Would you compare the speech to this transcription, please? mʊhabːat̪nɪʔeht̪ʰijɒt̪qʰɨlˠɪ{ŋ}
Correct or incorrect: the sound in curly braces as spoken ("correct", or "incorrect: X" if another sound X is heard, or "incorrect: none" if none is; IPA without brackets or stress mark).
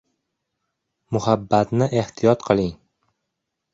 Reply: correct